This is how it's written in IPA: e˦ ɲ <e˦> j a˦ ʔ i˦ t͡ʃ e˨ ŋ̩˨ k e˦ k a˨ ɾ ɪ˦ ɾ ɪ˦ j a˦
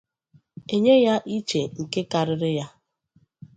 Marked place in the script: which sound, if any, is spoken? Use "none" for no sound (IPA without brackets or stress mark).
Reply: e˦